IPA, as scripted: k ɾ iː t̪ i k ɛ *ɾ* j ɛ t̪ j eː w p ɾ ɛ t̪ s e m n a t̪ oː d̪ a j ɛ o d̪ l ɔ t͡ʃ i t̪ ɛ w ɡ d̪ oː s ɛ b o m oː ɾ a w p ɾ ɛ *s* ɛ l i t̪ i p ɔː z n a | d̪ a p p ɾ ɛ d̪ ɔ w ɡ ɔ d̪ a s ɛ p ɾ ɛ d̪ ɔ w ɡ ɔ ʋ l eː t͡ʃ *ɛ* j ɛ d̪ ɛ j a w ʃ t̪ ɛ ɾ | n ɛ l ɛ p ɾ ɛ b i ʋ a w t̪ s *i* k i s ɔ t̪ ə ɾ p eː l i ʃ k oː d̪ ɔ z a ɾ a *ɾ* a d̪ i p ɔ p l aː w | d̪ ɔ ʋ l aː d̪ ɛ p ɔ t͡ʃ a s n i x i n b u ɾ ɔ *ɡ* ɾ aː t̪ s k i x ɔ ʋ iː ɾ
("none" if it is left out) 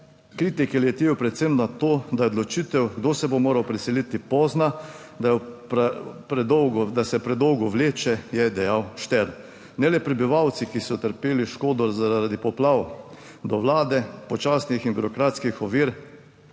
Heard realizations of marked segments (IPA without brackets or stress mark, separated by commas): l, s, ɛ, i, ɾ, k